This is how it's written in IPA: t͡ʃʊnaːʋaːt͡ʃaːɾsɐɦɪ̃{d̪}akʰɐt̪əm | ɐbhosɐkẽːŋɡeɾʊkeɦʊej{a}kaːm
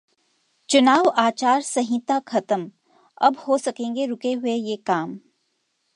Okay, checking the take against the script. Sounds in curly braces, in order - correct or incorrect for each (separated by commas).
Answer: incorrect, incorrect